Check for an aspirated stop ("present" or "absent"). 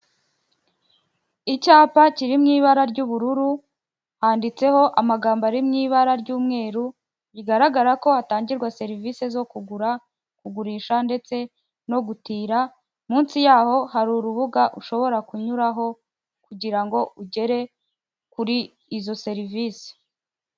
absent